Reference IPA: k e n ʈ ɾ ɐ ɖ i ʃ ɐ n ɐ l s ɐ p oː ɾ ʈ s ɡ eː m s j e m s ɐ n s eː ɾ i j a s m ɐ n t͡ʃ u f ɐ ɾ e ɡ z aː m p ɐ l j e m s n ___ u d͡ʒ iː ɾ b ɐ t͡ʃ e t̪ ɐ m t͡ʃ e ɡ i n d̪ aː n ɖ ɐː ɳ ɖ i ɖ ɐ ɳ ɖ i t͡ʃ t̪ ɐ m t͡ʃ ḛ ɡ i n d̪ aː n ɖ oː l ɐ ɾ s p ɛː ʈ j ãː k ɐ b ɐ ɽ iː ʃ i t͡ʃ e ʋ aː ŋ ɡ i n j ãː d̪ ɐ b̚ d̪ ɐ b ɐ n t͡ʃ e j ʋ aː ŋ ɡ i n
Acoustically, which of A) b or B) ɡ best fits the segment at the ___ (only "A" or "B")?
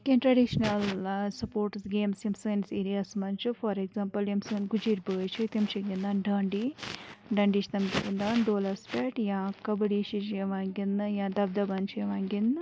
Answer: B